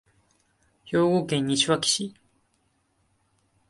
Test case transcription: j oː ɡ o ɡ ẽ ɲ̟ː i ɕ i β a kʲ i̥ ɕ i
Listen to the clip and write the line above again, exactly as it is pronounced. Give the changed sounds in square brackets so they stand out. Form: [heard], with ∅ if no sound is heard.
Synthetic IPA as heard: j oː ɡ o [k] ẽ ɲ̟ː i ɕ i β a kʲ i̥ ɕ i